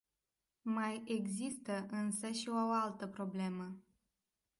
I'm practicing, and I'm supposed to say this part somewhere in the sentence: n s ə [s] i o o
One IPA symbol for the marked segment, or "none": ʃ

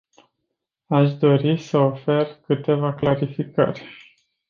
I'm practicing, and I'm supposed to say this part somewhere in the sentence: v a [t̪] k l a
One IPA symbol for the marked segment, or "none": none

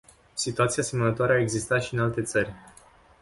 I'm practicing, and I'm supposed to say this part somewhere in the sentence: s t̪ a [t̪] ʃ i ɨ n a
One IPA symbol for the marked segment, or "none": t̪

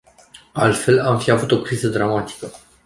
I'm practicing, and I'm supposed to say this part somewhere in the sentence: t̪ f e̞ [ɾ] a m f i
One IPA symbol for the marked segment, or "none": l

